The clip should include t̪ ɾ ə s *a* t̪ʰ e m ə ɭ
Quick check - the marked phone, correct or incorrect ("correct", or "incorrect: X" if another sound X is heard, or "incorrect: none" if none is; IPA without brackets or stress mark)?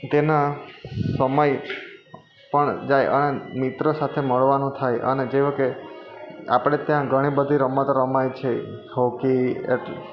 correct